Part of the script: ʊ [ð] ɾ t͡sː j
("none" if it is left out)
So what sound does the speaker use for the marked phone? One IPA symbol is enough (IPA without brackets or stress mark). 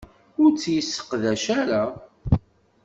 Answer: none